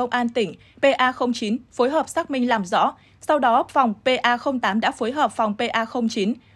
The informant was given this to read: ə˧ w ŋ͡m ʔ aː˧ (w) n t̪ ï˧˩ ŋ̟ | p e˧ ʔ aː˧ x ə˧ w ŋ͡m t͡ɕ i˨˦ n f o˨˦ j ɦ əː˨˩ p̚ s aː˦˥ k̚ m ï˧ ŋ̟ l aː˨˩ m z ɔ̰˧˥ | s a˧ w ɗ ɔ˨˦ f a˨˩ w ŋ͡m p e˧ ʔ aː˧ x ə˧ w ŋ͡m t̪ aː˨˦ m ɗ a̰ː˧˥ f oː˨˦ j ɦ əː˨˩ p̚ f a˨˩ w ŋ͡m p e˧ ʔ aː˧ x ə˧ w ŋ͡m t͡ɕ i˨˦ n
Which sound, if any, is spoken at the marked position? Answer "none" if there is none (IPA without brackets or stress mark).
none